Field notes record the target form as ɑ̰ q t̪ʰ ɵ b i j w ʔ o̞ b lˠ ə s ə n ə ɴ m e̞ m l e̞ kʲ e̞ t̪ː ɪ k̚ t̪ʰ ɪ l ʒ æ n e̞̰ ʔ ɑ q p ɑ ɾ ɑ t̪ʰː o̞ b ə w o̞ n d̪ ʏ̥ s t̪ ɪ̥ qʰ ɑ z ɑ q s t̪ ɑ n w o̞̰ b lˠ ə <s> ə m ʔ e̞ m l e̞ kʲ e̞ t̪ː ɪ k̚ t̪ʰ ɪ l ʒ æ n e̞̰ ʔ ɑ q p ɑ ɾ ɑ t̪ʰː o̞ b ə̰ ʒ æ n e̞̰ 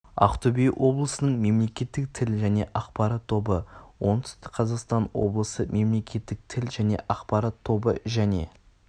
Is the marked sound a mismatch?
no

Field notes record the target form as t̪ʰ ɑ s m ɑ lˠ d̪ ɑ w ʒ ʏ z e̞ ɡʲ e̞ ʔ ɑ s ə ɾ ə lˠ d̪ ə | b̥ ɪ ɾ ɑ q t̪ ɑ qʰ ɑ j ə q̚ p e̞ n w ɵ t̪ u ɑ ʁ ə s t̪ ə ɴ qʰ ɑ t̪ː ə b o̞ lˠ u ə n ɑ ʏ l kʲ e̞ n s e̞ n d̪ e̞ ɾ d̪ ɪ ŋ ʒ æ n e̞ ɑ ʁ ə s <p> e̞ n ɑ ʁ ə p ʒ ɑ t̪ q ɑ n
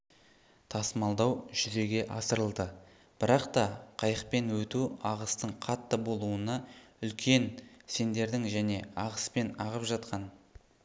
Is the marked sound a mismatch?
no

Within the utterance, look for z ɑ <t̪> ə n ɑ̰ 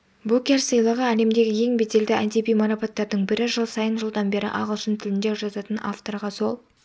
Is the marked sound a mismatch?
no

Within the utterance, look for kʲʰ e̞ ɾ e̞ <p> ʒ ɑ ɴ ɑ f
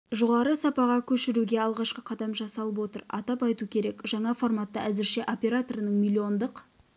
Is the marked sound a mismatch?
yes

